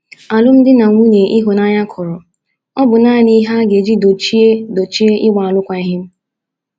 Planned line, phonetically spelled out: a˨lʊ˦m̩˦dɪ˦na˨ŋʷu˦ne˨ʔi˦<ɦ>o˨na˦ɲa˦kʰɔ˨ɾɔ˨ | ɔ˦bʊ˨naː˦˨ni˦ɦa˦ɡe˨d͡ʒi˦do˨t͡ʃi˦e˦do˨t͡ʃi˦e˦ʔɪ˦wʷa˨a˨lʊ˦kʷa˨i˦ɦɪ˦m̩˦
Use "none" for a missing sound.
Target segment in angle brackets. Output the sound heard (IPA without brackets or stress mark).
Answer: ɦ